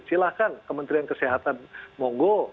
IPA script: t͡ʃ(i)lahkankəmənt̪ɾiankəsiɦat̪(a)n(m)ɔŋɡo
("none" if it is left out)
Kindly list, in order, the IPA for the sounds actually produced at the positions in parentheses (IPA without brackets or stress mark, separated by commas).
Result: i, a, m